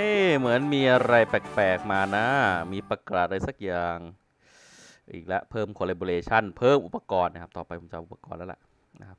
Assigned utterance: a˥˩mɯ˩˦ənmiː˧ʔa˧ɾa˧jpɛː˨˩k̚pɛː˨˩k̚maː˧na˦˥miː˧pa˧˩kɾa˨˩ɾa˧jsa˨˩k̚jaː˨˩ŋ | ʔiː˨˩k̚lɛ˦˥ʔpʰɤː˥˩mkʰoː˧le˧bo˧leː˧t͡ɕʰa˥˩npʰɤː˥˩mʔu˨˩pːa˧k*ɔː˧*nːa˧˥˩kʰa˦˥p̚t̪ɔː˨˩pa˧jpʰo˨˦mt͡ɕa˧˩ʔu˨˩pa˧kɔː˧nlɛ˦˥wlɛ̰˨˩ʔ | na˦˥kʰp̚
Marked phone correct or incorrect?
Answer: correct